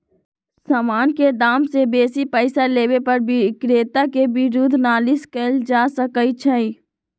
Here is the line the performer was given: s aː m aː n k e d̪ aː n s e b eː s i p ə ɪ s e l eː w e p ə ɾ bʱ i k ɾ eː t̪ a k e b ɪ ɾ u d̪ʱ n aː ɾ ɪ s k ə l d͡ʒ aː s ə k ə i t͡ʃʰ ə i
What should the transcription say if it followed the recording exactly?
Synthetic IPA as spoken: s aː m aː n k e d̪ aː m s e b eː s i p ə ɪ s a l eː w e p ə ɾ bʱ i k ɾ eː t̪ a k e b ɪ ɾ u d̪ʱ n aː l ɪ s k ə l d͡ʒ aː s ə k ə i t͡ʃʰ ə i